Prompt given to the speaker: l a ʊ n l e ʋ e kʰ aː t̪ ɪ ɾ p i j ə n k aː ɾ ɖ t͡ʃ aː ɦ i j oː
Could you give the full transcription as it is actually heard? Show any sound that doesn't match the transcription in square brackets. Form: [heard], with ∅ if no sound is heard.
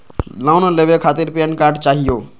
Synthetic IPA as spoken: l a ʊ n l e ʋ e kʰ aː t̪ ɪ ɾ p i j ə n k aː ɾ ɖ t͡ʃ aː ɦ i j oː

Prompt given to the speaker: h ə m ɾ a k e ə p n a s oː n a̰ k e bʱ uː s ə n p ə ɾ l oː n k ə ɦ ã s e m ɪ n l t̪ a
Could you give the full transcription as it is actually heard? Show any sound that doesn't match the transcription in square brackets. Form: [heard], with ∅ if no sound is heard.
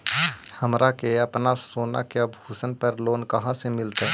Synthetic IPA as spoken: h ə m ɾ a k e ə p n a s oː n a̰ k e bʱ uː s ə n p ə ɾ l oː n k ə ɦ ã s e m ɪ [∅] l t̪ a

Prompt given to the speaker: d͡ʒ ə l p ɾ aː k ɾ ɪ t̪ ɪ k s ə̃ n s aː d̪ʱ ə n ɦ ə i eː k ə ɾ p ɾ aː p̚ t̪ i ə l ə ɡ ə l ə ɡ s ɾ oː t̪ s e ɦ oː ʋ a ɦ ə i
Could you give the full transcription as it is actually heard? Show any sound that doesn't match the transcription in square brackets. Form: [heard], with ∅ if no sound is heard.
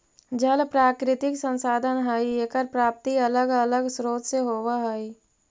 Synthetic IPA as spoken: d͡ʒ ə l p ɾ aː k ɾ ɪ t̪ ɪ k s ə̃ n s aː d̪ʱ ə n ɦ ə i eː k ə ɾ p ɾ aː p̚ t̪ i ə l ə ɡ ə l ə ɡ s ɾ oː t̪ s e ɦ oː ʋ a ɦ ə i

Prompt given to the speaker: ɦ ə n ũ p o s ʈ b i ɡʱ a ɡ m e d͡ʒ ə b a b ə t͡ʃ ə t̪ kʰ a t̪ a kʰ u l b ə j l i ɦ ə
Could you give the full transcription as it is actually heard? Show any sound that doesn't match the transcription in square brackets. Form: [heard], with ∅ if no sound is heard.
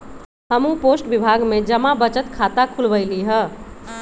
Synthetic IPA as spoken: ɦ ə [m] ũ p o s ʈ b i [bʱ] a ɡ m e d͡ʒ ə [m] a b ə t͡ʃ ə t̪ kʰ a t̪ a kʰ u l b ə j l i ɦ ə

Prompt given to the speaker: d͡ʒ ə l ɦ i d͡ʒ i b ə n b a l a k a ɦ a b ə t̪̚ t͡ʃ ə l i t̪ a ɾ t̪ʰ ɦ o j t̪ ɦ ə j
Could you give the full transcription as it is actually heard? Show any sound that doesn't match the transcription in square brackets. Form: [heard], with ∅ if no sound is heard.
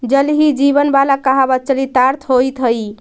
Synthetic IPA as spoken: d͡ʒ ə l ɦ i d͡ʒ i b ə n b a l a k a ɦ a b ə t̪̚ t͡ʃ ə l i t̪ a ɾ t̪ʰ ɦ o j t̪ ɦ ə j

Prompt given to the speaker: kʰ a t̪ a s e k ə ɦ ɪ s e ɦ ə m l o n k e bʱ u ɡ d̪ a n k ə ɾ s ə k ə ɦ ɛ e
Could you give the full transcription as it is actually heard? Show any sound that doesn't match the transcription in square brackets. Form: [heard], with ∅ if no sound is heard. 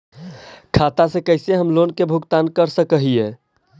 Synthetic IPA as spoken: kʰ a t̪ a s e k ə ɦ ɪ s e ɦ ə m l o n k e bʱ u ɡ [t̪] a n k ə ɾ s ə k ə ɦ [i] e

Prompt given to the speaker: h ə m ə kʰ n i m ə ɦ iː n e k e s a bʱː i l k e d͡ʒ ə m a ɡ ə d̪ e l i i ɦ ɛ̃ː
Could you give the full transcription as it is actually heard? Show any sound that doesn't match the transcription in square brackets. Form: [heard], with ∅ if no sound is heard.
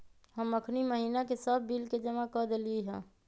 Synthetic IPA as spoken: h ə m ə kʰ n i m ə ɦ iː n [a] k e s [ə] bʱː i l k e d͡ʒ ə m a [k] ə d̪ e l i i ɦ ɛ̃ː

